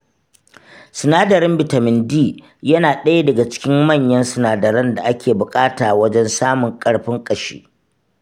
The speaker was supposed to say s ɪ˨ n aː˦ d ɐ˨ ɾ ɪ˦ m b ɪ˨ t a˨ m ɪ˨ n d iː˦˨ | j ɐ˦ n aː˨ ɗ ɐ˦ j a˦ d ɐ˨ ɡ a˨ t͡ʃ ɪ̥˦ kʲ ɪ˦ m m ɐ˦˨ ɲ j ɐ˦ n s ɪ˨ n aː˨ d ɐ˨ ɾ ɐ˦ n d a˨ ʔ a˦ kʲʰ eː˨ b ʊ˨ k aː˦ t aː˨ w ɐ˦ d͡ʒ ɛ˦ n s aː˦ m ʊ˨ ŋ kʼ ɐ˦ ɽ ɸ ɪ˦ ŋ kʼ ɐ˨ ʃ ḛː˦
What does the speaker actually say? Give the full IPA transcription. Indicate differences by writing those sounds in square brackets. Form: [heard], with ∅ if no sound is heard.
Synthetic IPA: s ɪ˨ n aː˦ d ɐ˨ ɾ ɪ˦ m b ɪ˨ t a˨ m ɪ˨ n d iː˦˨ | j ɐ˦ n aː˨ ɗ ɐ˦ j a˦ d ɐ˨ ɡ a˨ t͡ʃ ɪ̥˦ kʲ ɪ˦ m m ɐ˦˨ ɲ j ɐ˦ n s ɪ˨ n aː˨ d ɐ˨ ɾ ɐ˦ n d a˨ ʔ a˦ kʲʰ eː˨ b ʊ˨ [kʼ] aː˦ t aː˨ w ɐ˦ d͡ʒ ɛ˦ n s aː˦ m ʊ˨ ŋ kʼ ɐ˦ ɽ ɸ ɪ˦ ŋ kʼ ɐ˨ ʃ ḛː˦